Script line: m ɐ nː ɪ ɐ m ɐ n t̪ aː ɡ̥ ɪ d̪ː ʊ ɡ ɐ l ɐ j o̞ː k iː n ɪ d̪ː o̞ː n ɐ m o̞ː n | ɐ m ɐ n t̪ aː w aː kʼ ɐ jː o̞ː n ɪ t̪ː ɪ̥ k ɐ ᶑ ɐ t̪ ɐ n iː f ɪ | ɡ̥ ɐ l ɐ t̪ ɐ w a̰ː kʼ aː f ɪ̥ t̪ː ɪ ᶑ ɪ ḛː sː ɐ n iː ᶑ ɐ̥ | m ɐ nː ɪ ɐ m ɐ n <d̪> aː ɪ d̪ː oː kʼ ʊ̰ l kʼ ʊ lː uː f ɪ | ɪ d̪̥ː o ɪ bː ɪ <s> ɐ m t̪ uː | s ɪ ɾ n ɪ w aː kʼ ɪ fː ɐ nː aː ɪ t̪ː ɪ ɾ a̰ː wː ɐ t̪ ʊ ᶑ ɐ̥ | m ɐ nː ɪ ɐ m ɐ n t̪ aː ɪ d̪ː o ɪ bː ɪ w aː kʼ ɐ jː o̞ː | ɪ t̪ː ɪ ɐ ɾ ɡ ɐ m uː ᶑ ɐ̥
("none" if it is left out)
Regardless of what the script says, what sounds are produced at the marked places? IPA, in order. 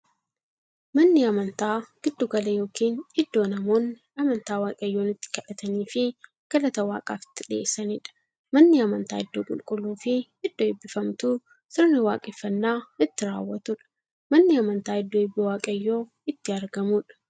t̪, f

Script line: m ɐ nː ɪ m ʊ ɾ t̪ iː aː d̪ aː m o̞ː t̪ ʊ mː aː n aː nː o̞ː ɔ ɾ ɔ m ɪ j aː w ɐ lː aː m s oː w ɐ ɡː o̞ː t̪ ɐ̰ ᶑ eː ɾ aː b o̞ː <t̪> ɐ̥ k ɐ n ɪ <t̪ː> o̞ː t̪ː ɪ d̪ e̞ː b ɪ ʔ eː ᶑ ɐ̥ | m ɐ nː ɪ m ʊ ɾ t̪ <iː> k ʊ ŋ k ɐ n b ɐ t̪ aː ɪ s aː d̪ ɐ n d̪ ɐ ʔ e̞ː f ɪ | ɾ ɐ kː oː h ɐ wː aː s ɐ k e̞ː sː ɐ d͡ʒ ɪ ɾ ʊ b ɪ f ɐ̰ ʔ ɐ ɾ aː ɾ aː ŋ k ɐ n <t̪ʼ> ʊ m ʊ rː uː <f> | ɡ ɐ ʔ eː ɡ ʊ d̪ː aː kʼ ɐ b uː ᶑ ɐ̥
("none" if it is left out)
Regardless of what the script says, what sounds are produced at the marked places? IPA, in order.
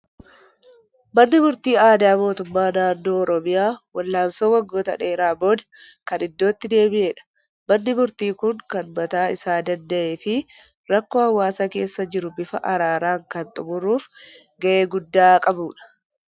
d̪, d̪ː, iː, t̪ʼ, f

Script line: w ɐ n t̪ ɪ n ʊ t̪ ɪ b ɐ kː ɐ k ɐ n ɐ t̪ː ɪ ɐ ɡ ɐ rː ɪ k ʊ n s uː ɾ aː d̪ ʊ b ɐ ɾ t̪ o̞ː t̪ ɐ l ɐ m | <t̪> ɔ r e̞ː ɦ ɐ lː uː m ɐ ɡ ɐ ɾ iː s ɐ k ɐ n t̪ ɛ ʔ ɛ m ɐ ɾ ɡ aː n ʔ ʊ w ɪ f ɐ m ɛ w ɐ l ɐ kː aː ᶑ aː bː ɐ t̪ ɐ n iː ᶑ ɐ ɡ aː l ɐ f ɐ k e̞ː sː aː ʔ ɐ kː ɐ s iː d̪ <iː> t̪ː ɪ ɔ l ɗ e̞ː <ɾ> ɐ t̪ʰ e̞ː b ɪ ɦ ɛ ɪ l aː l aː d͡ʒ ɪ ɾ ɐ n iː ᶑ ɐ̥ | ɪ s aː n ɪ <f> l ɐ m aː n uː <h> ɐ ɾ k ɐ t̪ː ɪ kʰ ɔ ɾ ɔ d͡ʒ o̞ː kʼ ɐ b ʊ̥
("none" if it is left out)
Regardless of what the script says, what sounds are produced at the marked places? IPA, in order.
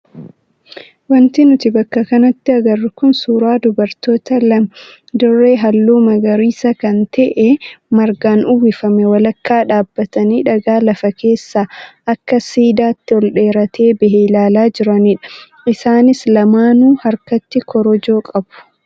d̪, aː, ɾ, s, h

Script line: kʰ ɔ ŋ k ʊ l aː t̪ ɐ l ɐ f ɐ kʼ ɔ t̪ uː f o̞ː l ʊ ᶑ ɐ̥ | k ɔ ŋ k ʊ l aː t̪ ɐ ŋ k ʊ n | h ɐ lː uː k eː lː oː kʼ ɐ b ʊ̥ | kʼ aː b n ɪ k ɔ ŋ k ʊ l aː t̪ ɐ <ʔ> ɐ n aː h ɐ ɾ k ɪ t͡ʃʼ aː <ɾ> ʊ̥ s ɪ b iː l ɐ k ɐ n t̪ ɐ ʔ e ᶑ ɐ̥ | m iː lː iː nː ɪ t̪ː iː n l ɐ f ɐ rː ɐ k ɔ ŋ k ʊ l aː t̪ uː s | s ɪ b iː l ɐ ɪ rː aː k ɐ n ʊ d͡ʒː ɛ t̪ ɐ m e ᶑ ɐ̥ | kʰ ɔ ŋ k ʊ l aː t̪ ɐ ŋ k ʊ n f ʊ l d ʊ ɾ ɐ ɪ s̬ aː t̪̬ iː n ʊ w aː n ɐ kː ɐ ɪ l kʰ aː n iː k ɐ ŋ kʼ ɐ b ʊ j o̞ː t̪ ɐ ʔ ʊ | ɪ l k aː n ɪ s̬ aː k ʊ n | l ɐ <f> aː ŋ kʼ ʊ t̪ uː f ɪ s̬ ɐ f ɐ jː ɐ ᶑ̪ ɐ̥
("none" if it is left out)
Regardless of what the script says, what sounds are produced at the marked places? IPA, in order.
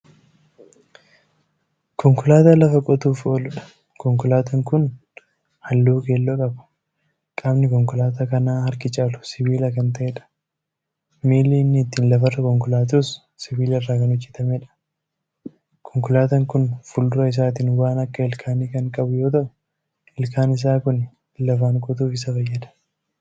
k, l, f

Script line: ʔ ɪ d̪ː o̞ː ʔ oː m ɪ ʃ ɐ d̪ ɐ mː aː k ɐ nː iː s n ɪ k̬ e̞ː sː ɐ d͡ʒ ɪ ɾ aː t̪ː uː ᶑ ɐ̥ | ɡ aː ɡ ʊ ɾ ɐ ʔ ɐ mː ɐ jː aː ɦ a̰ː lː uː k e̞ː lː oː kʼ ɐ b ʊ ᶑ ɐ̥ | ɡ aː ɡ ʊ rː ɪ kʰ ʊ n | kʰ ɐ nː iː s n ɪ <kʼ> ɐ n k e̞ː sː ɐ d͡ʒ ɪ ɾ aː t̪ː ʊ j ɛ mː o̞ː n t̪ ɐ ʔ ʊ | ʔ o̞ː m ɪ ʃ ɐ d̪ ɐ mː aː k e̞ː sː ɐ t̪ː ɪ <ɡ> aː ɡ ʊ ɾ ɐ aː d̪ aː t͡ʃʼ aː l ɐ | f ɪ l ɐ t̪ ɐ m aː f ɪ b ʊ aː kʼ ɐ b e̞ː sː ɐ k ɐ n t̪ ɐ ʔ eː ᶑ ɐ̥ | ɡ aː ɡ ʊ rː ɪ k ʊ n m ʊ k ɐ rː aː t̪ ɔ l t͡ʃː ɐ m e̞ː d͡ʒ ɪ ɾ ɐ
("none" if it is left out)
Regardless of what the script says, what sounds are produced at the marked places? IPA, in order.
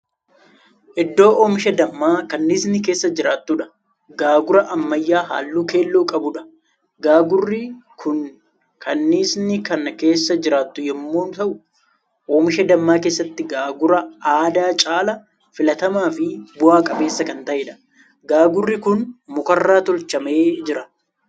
k, ɡ

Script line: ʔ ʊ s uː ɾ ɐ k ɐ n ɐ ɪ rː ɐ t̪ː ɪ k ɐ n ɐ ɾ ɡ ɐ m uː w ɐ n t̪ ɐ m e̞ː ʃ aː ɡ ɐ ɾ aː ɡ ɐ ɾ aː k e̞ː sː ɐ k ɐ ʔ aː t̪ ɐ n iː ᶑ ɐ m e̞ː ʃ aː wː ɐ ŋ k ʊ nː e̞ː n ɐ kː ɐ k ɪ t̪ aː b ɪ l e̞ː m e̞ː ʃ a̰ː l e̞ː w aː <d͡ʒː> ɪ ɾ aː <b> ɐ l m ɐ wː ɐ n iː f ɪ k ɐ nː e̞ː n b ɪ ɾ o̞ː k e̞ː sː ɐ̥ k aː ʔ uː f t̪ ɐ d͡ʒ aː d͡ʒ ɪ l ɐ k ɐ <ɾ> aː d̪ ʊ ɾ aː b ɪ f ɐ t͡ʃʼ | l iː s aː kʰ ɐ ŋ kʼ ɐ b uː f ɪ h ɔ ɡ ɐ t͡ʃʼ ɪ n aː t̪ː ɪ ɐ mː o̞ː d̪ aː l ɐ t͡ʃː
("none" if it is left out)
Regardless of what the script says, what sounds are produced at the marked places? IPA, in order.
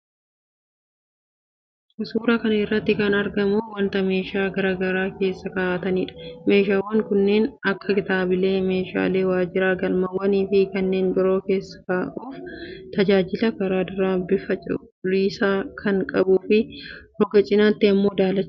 d͡ʒ, ɡ, ɾ

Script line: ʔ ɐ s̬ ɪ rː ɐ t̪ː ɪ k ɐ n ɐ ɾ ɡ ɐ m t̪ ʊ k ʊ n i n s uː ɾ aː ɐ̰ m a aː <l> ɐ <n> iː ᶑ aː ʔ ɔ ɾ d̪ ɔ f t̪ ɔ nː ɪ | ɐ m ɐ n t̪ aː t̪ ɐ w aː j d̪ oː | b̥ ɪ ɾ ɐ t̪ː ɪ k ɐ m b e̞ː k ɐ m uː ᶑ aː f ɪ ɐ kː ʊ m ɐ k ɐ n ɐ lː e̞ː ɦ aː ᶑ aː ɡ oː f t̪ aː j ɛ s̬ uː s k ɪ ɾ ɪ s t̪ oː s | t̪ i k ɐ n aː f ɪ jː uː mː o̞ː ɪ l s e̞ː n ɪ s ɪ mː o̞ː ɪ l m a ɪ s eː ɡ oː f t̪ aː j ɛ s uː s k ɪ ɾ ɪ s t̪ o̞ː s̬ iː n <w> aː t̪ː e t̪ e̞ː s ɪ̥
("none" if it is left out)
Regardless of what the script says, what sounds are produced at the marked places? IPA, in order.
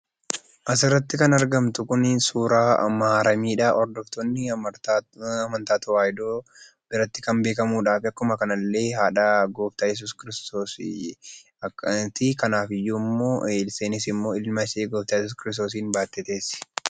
ɾ, m, b

